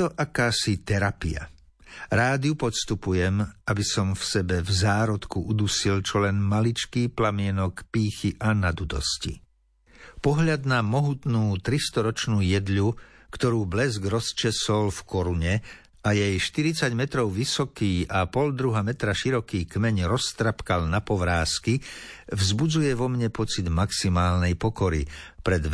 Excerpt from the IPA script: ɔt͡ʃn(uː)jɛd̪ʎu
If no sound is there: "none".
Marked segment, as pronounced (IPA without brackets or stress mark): uː